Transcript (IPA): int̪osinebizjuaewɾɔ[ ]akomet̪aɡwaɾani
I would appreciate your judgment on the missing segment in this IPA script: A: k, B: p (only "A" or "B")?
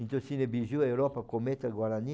B